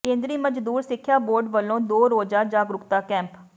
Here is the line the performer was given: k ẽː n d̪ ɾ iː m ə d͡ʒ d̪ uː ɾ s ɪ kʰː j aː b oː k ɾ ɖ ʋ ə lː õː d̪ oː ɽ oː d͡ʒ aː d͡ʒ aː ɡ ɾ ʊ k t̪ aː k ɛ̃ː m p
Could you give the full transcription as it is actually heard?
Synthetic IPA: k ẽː n d̪ ɾ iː m ə d͡ʒ d̪ uː ɾ s ɪ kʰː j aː b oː ɾ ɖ ʋ ə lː õː d̪ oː ɾ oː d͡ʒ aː d͡ʒ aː ɡ ɾ ʊ k t̪ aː k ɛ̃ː m p

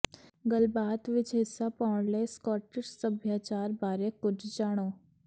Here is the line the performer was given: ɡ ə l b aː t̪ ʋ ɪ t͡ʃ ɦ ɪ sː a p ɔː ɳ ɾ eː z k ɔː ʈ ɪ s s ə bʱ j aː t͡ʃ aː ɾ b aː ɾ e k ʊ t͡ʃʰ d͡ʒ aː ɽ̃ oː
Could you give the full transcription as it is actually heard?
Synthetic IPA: ɡ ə l b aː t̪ ʋ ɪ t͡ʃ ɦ ɪ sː a p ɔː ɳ l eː s k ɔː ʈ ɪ ʃ s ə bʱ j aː t͡ʃ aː ɾ b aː ɾ e k ʊ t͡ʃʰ d͡ʒ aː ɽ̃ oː

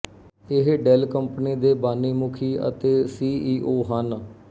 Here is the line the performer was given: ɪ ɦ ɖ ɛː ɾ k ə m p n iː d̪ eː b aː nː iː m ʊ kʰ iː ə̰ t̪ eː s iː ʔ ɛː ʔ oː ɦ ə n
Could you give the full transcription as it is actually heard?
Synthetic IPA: ɪ ɦ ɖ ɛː l k ə m p n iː d̪ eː b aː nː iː m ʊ kʰ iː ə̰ t̪ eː s iː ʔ iː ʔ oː ɦ ə n

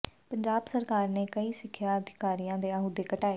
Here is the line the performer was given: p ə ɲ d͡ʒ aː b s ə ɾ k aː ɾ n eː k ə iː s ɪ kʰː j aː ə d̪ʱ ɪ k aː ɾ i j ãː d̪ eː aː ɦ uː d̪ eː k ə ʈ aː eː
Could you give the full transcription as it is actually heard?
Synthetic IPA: p ə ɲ d͡ʒ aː b s ə ɾ k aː ɾ n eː k ə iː s ɪ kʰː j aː ə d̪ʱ ɪ k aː ɾ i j ãː d̪ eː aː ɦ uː d̪ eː k ə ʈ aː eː

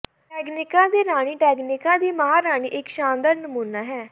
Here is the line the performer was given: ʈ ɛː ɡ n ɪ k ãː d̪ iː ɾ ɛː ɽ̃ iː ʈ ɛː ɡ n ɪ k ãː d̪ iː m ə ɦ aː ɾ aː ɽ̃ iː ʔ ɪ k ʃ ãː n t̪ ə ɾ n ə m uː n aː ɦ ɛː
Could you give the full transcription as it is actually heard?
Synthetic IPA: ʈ ɛː ɡ n ɪ k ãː d̪ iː ɾ aː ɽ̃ iː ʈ ɛː ɡ n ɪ k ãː d̪ iː m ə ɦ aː ɾ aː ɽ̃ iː ʔ ɪ k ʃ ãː n d̪ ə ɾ n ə m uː n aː ɦ ɛː

